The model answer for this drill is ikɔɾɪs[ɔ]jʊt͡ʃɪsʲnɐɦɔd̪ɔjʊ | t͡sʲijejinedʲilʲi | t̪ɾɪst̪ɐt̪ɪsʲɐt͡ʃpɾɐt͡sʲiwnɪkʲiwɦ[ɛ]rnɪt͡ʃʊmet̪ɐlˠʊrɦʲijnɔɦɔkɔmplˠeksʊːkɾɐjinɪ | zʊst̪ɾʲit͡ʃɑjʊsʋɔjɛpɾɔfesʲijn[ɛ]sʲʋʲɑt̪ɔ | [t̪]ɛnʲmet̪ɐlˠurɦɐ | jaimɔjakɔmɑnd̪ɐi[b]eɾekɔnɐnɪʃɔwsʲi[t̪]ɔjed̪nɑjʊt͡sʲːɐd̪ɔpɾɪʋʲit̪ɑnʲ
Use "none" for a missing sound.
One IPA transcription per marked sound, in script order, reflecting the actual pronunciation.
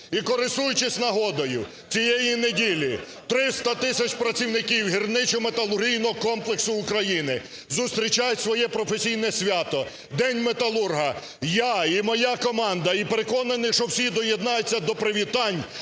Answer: u, i, ɛ, d̪, p, d̪

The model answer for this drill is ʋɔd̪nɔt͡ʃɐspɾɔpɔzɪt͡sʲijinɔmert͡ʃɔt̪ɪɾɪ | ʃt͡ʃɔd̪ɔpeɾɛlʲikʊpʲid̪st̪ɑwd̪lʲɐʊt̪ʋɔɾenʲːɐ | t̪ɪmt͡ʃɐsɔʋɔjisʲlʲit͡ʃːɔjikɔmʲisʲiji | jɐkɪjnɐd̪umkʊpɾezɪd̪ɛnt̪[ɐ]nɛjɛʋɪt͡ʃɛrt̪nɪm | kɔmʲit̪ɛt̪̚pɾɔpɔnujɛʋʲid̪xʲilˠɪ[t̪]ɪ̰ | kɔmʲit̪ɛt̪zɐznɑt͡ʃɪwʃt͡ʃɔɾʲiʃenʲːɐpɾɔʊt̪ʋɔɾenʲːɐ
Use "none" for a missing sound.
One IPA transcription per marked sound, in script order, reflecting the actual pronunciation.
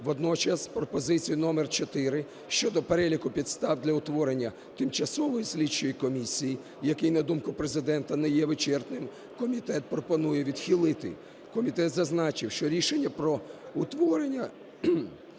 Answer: ɐ, t̪

